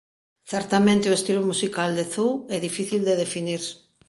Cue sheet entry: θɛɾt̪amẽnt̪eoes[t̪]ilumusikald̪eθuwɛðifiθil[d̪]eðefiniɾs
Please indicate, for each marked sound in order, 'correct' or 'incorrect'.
correct, correct

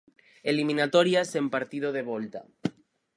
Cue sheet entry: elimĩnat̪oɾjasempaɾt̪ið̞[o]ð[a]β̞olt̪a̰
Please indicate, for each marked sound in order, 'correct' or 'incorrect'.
correct, incorrect: e

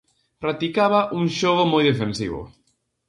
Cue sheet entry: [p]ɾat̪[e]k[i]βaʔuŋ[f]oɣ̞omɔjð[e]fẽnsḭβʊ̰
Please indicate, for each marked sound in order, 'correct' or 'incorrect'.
correct, incorrect: i, incorrect: a, incorrect: ʃ, correct

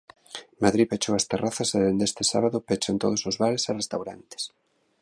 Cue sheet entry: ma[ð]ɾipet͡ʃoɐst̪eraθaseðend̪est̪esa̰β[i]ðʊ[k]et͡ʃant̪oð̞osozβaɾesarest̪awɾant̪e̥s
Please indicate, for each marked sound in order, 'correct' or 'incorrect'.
correct, incorrect: a, incorrect: p

